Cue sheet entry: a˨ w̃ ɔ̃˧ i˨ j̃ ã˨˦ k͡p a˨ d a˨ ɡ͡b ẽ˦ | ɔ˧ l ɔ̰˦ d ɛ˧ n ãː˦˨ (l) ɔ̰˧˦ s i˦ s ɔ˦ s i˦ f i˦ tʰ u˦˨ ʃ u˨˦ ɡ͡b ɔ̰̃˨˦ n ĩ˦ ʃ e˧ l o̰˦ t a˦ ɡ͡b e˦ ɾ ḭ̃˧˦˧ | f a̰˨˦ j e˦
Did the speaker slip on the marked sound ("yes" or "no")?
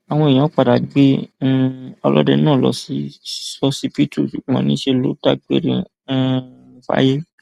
no